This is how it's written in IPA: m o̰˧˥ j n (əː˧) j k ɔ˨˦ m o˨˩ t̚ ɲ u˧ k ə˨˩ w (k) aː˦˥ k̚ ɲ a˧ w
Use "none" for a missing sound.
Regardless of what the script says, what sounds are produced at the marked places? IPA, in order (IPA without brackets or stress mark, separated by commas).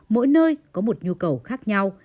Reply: əː˧, x